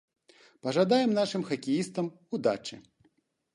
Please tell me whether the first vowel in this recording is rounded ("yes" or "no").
no